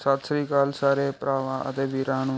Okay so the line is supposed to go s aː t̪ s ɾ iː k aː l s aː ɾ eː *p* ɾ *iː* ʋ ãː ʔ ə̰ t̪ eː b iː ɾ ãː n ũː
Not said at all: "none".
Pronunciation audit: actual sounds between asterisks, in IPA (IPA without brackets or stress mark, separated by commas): p, aː